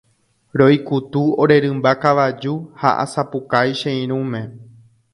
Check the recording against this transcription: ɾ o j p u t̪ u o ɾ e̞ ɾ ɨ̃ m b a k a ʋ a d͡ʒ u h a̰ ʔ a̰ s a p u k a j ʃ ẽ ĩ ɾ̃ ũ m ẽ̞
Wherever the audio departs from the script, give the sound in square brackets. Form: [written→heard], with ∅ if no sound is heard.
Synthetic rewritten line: ɾ o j [p→k] u t̪ u o ɾ e̞ ɾ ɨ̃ m b a k a ʋ a d͡ʒ u h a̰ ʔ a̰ s a p u k a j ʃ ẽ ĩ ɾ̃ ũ m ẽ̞